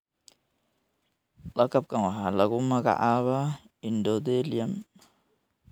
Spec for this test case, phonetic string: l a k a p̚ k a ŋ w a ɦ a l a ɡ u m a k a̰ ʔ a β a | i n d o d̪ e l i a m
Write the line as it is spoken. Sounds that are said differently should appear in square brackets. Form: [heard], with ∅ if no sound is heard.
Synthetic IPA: l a k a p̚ k a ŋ w a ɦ a l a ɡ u m a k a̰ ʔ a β a | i n d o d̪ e l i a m